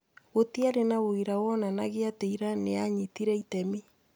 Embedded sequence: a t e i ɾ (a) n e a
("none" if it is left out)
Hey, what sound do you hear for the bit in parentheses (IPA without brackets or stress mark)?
a